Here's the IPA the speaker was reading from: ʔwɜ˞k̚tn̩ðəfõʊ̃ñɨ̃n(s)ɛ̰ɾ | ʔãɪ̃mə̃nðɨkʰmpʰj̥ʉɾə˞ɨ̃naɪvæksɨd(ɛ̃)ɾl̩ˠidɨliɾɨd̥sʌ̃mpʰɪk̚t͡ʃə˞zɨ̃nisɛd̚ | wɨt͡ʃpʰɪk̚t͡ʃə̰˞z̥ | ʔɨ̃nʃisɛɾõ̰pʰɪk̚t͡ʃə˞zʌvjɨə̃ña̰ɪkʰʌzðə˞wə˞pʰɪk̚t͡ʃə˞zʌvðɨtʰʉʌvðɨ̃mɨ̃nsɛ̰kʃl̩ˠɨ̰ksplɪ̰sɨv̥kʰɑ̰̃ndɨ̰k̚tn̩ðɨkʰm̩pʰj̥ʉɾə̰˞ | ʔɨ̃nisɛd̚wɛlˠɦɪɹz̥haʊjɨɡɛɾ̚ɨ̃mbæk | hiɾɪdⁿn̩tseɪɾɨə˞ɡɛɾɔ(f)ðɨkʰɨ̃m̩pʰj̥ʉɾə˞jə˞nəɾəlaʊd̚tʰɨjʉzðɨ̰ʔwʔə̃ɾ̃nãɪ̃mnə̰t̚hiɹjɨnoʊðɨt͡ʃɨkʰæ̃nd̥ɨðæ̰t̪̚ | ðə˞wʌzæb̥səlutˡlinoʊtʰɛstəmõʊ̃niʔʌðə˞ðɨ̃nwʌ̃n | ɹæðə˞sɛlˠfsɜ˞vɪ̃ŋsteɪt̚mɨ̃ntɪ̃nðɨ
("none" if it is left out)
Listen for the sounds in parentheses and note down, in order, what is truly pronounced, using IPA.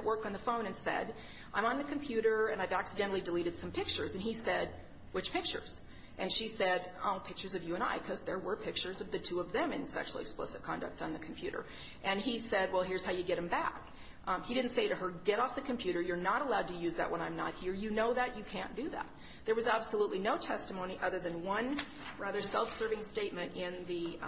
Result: s, ɛ̃, f

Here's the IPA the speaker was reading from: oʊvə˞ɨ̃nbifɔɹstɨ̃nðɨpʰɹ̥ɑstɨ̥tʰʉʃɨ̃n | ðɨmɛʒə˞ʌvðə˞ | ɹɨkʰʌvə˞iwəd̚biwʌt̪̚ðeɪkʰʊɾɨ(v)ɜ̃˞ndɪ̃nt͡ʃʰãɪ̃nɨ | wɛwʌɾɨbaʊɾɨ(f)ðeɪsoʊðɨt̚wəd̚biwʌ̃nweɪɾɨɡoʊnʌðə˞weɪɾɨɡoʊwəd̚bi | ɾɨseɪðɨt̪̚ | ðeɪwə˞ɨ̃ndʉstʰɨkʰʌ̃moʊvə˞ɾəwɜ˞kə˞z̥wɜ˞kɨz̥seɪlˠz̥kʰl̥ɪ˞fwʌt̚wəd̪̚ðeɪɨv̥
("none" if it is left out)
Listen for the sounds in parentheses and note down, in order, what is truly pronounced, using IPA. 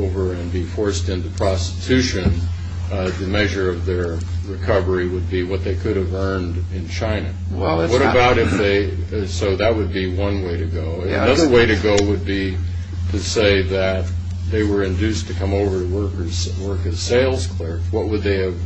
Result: v, f

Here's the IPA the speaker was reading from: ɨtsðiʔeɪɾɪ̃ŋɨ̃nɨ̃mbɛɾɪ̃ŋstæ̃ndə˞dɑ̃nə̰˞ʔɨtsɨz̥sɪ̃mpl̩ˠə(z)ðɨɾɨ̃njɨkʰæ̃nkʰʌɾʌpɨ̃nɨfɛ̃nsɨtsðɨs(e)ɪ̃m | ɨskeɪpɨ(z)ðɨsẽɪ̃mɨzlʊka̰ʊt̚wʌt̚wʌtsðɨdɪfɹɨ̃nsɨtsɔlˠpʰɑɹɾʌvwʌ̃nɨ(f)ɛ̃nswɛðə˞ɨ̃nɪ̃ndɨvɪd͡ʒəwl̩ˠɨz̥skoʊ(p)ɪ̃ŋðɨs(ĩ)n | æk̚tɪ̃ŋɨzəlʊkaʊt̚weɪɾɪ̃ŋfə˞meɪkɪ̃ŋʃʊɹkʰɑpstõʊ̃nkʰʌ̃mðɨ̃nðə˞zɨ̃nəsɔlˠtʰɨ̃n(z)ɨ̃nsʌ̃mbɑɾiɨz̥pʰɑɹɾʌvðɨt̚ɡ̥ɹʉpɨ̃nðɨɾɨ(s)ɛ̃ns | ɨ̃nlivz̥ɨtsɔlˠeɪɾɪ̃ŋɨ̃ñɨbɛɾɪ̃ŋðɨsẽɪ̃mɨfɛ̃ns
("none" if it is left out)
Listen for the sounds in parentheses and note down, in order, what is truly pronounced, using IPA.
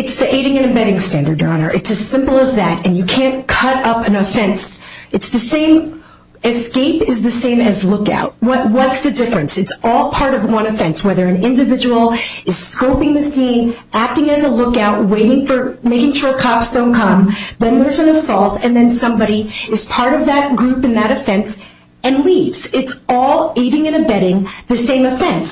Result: z, ẽ, z, f, p, ĩ, ð, f

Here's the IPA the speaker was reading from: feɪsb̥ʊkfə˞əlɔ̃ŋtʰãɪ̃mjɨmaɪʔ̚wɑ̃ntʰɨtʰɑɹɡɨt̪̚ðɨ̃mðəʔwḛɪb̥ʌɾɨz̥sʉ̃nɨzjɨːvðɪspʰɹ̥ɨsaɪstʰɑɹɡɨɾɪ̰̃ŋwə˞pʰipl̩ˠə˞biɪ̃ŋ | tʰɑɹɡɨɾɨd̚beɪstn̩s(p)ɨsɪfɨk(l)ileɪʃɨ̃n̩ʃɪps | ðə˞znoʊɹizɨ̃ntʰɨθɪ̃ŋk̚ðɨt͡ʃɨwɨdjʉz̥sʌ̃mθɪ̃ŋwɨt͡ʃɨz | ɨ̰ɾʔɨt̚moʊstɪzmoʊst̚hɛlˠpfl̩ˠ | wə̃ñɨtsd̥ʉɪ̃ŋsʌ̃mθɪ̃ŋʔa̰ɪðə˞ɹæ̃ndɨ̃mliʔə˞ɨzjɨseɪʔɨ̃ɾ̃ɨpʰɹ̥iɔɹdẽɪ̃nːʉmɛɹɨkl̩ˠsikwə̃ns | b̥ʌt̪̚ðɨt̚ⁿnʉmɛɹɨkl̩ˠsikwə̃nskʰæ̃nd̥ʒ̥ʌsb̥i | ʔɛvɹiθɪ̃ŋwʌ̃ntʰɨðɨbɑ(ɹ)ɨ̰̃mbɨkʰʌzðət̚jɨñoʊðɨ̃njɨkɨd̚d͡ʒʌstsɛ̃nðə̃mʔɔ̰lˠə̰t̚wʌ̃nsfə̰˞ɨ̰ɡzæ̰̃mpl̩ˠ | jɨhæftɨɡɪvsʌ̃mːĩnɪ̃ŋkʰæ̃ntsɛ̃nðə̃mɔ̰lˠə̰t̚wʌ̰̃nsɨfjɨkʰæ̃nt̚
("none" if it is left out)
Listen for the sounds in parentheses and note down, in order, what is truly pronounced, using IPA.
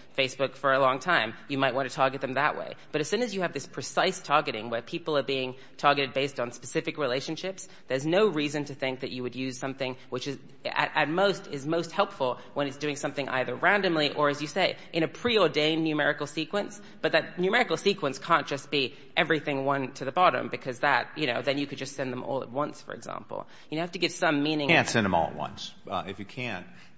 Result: p, ɹ, ɾ

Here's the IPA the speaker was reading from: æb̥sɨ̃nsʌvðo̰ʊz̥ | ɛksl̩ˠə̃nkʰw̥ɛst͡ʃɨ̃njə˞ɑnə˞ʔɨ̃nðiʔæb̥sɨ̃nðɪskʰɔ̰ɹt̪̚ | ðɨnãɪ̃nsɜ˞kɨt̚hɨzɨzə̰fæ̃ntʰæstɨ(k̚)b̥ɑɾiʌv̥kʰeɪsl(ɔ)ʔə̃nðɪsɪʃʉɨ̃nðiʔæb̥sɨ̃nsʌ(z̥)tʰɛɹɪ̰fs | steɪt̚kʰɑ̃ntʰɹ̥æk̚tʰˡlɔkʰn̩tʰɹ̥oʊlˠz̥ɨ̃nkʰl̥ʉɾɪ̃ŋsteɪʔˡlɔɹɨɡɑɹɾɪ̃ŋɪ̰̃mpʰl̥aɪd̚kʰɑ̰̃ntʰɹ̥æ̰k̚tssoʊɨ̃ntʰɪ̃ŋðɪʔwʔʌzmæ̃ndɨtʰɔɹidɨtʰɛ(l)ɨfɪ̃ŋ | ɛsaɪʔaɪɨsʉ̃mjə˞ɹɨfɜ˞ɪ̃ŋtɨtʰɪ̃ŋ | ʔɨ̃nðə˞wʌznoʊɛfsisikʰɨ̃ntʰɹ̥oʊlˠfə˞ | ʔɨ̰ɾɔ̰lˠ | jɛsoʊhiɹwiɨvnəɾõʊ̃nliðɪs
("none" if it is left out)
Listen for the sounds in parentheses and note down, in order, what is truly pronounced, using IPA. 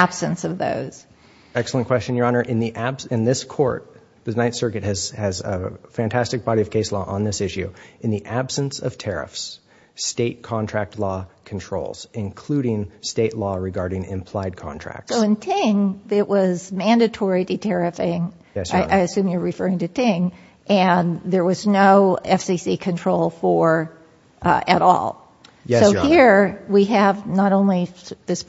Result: k̚, ɔ, v̥, ɹ

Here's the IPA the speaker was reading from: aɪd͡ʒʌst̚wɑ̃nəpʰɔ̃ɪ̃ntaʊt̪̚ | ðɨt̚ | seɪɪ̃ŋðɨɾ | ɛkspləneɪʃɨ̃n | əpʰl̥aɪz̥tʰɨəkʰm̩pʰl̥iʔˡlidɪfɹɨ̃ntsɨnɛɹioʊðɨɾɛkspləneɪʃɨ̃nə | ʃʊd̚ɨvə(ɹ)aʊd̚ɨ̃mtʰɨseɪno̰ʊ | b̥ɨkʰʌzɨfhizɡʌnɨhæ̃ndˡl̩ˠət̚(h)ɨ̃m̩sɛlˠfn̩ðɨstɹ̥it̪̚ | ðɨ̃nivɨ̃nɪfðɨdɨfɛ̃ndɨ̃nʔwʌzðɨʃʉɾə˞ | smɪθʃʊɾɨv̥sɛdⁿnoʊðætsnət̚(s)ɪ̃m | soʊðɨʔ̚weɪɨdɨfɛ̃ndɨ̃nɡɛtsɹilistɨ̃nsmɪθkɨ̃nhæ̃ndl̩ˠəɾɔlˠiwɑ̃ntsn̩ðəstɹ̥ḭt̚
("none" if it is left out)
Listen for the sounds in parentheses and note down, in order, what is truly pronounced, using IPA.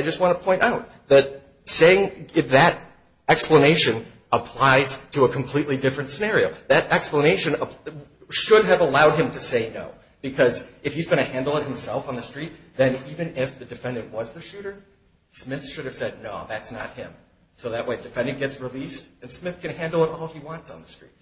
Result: l, h, h

